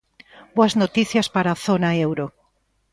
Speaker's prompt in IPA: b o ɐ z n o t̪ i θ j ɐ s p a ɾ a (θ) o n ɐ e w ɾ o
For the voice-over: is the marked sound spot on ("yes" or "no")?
yes